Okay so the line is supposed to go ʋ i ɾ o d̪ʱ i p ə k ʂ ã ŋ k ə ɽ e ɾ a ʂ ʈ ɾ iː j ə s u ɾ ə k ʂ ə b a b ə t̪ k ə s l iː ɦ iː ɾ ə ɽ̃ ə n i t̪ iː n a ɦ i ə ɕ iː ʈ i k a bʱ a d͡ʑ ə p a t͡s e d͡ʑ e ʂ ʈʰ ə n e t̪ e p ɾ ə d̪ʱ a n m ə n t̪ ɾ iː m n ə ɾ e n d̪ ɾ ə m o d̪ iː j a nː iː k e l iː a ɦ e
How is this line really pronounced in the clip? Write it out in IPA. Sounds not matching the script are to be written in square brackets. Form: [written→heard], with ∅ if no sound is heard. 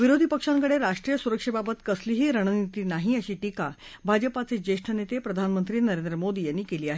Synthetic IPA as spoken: ʋ i ɾ o d̪ʱ i p ə k ʂ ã ŋ k ə ɽ e ɾ a ʂ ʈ ɾ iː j ə s u ɾ ə k ʂ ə b a b ə t̪ k ə s l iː ɦ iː ɾ ə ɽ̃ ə n i t̪ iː n a ɦ i ə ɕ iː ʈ i k a bʱ a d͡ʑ ə p a t͡s e d͡ʑ e ʂ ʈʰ ə n e t̪ e p ɾ ə d̪ʱ a n m ə n t̪ ɾ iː [m→∅] n ə ɾ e n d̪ ɾ ə m o d̪ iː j a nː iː k e l iː a ɦ e